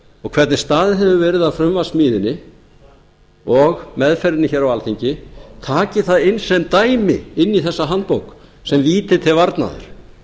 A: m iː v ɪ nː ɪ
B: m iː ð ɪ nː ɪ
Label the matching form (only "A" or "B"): B